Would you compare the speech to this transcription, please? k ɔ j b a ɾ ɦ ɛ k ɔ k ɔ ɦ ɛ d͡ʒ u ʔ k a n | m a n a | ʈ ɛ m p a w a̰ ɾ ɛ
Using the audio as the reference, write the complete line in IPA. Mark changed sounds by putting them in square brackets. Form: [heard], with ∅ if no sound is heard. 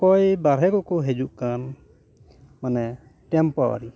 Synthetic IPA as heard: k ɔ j b a ɾ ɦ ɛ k ɔ k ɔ ɦ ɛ d͡ʒ u ʔ k a n | m a n [ɛ] | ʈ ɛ m p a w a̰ ɾ [i]